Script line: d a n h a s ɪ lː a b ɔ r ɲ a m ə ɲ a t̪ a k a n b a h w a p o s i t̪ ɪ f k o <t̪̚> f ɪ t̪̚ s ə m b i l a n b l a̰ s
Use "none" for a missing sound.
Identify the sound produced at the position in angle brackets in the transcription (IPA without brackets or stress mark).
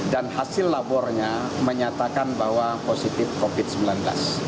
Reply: none